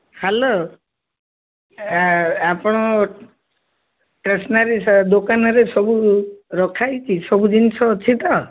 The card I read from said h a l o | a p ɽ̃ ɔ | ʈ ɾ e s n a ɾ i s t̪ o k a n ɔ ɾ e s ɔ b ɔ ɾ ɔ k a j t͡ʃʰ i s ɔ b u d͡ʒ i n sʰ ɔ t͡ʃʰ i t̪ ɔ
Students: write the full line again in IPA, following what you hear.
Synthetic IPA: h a l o | a p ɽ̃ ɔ | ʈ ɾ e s n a ɾ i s d̪ o k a n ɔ ɾ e s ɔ b u ɾ ɔ kʰ a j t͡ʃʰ i s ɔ b u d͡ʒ i n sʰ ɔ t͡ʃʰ i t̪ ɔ